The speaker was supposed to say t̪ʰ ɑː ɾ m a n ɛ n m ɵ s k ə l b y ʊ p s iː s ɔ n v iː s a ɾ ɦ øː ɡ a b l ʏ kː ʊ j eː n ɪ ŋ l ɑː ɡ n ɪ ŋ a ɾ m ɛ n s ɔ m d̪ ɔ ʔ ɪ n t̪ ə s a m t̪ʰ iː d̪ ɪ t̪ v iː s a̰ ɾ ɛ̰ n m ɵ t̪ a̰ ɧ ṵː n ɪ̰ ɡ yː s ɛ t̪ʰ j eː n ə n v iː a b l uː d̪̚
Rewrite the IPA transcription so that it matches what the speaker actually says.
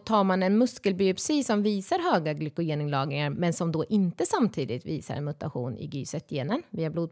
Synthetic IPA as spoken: t̪ʰ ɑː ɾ m a n ɛ n m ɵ s k ə l b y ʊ p s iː s ɔ m v iː s a ɾ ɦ øː ɡ a ɡ l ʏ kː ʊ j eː n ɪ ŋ l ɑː ɡ n ɪ ŋ a ɾ m ɛ n s ɔ m d̪ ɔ ʔ ɪ n t̪ ə s a m t̪ʰ iː d̪ ɪ t̪ v iː s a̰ ɾ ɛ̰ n m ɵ t̪ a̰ ɧ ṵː n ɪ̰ ɡ yː s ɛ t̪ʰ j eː n ə n v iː a b l uː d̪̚